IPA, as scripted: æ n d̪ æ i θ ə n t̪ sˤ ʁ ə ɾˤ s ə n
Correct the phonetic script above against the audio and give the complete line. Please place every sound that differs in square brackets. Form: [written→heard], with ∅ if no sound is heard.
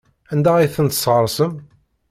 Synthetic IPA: æ n d̪ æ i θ ə n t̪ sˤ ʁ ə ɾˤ s ə [n→m]